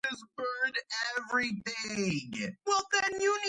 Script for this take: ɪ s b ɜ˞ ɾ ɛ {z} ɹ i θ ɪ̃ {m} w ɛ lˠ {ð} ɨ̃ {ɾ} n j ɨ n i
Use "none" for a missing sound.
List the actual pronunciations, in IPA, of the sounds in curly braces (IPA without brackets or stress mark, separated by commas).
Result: v, ŋ, ð, none